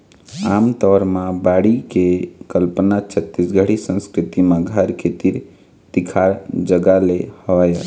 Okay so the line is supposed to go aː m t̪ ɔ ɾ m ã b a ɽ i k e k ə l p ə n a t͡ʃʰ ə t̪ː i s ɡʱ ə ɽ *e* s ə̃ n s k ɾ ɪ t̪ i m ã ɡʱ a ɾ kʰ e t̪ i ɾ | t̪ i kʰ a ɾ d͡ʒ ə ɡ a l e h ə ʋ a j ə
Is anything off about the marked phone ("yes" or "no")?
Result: yes